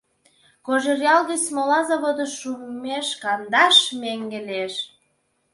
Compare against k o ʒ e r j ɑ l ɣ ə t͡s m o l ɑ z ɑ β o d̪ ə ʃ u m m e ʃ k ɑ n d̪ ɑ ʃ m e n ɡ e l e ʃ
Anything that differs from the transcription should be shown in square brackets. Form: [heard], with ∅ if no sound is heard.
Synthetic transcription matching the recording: k o ʒ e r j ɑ l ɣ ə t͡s m o l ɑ z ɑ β o d̪ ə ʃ u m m e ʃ k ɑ n d̪ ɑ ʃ m e [ŋ] ɡ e l e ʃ